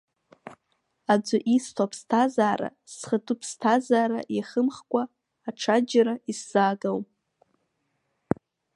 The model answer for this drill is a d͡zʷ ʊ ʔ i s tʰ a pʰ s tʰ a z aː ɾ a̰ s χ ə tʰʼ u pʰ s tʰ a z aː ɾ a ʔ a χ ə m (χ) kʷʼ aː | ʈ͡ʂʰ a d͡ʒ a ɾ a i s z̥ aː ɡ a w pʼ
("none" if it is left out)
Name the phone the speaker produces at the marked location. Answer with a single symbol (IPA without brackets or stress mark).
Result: χ